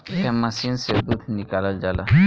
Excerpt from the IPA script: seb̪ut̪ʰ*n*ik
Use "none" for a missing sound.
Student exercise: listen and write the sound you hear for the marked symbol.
n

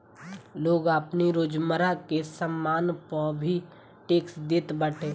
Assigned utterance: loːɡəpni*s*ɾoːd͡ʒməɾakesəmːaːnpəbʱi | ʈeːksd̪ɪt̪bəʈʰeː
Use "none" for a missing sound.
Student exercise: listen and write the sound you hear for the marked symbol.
none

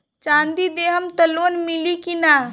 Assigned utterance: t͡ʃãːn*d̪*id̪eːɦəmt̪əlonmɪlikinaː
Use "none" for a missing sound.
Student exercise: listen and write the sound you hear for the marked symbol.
d̪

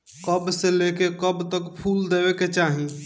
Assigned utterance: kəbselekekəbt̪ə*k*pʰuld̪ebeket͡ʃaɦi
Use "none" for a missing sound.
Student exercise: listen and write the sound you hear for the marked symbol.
k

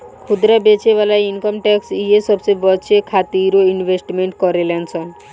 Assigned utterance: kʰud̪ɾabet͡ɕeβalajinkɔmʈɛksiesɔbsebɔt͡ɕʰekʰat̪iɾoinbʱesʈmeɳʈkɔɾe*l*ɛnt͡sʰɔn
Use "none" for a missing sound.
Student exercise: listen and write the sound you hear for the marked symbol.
l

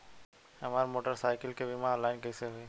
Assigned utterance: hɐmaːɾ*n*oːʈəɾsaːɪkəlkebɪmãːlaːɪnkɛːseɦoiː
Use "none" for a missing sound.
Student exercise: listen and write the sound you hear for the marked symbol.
m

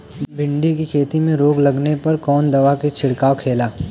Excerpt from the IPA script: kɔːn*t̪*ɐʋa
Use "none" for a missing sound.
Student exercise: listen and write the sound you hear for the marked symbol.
d̪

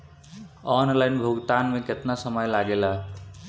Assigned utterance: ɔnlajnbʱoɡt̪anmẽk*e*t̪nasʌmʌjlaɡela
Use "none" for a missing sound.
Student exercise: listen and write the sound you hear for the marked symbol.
e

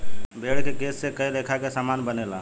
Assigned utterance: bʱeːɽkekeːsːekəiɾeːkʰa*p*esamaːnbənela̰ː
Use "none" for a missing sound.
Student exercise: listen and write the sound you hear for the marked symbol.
k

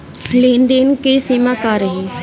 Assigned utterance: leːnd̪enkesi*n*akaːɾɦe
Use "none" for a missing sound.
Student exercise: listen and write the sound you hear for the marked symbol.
m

